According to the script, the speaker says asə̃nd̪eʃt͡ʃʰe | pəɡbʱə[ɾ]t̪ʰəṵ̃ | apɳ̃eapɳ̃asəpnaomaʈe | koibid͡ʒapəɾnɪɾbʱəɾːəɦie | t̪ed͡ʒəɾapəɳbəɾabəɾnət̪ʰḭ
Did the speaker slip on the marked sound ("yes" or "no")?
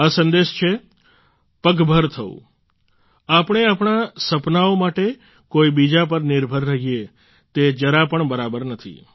no